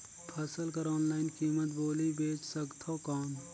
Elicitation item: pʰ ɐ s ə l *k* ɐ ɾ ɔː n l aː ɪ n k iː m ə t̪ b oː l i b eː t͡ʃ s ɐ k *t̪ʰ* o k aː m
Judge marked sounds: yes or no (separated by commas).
yes, yes